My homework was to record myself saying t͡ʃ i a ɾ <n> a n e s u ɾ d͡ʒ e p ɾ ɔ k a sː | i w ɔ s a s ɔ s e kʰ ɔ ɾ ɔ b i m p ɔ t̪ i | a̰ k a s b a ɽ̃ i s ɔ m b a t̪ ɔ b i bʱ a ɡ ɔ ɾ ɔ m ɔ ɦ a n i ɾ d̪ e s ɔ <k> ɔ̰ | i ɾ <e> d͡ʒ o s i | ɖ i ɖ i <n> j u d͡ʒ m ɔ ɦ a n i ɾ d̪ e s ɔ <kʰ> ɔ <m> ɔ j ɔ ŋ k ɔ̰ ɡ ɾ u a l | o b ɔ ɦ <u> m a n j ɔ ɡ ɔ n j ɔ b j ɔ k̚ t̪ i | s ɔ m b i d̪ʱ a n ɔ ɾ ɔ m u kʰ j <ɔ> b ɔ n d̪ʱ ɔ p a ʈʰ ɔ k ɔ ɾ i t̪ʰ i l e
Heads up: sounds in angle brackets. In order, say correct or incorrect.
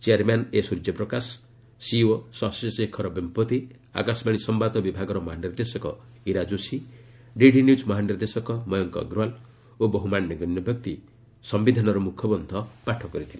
incorrect: m, correct, incorrect: a, correct, incorrect: k, correct, correct, correct

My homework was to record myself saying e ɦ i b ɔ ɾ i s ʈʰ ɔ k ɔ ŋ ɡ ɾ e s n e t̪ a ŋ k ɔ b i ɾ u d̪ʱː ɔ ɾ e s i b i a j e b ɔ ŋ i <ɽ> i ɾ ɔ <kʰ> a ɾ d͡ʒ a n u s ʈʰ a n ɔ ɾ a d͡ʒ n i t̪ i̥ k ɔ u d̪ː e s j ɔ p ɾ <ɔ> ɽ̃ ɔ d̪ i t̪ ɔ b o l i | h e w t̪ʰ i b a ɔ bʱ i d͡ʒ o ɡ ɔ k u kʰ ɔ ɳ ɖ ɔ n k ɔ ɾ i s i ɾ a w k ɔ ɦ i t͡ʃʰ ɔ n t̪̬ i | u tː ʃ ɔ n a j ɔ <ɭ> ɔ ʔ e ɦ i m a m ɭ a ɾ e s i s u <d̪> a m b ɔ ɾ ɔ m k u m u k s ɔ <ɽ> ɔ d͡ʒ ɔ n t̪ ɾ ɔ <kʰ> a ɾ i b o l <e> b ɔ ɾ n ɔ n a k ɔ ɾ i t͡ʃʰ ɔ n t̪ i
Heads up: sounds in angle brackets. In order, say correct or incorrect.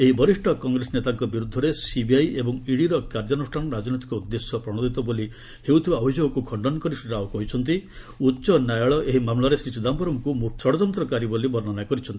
correct, incorrect: k, correct, correct, correct, correct, incorrect: k, incorrect: i

